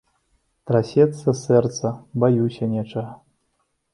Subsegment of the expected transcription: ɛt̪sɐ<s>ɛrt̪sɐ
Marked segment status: correct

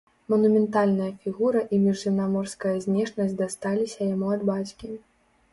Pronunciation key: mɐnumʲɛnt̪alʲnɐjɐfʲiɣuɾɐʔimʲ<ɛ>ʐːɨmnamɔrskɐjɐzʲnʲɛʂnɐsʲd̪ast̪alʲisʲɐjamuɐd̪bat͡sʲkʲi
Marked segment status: incorrect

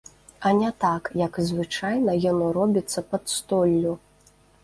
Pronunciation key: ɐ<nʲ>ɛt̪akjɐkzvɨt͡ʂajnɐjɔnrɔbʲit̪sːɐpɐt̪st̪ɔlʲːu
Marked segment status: correct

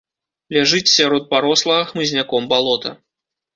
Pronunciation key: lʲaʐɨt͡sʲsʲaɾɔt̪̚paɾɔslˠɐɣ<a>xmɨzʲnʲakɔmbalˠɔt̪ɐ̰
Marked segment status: incorrect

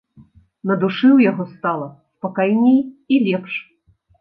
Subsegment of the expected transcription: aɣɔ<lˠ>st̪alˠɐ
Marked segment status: incorrect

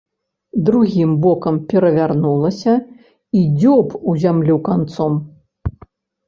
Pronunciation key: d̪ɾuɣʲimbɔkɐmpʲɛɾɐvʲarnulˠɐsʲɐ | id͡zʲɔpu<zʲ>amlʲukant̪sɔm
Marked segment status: correct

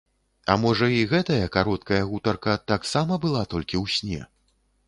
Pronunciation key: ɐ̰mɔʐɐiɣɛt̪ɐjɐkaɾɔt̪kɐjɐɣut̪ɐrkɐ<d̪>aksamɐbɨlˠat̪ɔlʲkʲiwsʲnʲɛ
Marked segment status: incorrect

